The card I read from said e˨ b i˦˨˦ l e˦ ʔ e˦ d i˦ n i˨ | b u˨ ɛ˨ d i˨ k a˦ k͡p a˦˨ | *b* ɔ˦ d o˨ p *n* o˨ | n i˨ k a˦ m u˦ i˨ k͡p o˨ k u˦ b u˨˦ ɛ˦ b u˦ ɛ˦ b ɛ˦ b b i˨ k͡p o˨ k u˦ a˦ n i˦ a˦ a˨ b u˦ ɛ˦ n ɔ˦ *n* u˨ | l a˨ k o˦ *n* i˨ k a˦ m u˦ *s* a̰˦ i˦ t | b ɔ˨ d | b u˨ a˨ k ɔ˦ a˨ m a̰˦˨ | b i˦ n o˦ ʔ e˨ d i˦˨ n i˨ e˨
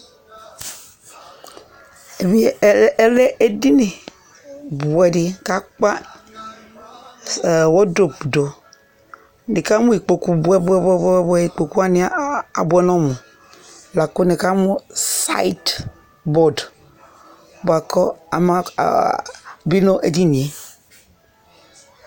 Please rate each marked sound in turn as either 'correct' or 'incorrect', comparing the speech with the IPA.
incorrect: w, incorrect: d, incorrect: m, correct, correct

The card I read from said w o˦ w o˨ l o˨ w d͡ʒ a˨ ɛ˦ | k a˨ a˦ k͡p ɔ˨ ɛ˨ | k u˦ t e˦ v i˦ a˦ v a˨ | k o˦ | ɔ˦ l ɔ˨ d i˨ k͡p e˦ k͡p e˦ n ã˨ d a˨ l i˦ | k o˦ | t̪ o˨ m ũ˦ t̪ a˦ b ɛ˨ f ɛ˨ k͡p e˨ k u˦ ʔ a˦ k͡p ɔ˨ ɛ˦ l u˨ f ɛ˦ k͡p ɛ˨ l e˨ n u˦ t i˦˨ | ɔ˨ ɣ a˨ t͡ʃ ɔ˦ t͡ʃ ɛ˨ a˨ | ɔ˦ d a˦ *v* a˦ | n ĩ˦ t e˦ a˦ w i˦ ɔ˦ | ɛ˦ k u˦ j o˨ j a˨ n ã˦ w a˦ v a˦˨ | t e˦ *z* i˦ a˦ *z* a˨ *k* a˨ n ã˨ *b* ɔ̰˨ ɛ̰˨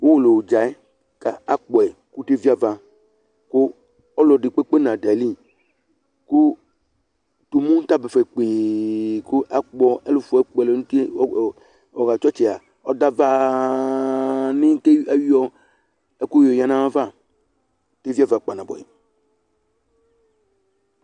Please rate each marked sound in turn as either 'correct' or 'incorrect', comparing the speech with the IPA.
correct, incorrect: v, incorrect: v, incorrect: k͡p, correct

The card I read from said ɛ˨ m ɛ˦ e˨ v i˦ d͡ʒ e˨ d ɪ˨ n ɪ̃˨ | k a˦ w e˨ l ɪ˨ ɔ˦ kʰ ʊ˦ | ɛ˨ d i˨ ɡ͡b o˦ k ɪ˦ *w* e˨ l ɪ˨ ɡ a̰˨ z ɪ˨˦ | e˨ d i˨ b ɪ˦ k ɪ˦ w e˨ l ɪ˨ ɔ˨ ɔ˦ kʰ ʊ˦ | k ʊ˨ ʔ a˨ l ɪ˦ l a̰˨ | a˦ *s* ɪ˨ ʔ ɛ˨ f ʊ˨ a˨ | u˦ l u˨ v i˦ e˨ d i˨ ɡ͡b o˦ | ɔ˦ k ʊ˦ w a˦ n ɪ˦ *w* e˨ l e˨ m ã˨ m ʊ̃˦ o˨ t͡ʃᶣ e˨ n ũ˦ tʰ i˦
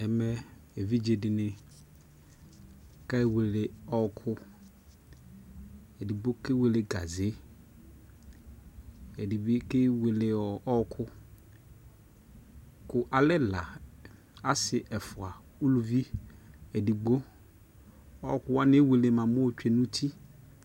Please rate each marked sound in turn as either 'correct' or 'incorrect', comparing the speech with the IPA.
correct, correct, correct

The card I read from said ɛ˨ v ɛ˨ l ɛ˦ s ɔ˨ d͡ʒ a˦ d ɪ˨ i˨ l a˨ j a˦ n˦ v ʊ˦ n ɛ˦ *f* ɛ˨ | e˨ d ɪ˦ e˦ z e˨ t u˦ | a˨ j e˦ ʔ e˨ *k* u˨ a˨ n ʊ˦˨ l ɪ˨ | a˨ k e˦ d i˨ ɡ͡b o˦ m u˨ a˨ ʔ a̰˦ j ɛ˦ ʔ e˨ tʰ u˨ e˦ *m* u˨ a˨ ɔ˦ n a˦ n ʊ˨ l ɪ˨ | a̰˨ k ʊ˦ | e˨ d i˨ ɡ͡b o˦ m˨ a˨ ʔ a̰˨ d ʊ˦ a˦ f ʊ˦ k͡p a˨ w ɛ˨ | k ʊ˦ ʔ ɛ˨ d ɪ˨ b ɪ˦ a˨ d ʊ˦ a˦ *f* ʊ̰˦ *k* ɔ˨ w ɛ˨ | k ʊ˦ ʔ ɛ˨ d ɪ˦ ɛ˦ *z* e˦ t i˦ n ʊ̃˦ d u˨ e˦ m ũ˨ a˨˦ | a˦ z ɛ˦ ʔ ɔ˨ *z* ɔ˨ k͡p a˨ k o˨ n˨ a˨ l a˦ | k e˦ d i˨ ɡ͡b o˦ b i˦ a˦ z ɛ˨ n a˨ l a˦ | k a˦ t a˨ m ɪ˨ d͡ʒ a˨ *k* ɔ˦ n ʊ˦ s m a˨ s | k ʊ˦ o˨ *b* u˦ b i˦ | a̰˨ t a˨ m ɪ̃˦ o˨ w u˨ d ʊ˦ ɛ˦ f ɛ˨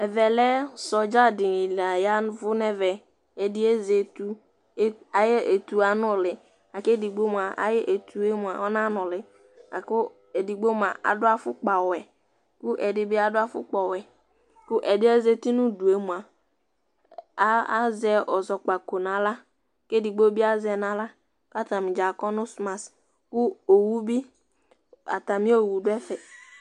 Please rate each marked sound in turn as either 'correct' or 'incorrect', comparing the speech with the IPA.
incorrect: v, incorrect: t, correct, correct, incorrect: k͡p, correct, correct, correct, incorrect: w

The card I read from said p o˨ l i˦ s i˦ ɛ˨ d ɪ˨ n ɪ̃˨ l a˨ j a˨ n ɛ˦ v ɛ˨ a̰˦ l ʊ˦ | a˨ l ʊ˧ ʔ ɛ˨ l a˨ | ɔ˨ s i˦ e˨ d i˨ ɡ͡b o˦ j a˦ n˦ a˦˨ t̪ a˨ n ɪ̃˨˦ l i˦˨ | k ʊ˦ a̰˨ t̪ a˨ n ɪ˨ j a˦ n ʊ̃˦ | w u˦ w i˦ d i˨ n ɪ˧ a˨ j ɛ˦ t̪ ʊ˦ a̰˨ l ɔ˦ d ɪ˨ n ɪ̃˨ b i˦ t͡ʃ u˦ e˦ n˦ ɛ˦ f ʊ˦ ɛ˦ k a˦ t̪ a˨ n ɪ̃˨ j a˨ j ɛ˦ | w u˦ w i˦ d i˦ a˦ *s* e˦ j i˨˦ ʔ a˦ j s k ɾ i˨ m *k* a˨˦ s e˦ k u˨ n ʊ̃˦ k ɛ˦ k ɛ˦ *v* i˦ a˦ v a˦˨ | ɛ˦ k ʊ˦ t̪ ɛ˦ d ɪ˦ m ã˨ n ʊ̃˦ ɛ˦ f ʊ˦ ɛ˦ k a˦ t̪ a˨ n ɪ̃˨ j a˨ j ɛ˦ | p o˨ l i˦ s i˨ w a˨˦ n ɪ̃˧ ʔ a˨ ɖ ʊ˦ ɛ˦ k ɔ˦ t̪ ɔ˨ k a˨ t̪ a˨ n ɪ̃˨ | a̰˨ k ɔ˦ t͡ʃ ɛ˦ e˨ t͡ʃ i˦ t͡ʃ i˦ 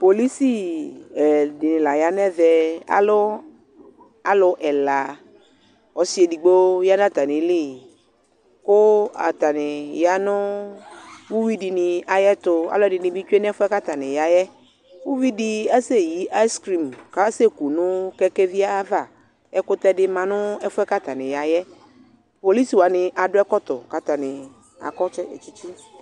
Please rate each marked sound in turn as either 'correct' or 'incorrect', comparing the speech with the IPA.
correct, correct, correct

